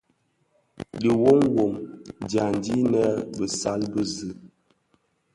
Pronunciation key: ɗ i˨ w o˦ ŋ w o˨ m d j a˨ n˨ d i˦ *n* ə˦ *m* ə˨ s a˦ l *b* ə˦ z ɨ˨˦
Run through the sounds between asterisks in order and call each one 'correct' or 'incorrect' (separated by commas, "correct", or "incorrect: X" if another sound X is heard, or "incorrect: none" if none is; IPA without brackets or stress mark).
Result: correct, incorrect: b, correct